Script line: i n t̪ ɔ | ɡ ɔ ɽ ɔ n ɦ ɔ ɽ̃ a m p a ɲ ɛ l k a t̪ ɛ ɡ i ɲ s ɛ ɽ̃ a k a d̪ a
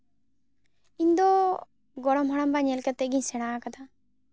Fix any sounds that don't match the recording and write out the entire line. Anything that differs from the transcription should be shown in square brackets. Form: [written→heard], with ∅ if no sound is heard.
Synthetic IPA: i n [t̪→d̪] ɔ | ɡ ɔ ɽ ɔ [n→m] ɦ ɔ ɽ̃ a m [p→b] a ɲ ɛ l k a t̪ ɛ ɡ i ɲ s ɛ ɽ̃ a k a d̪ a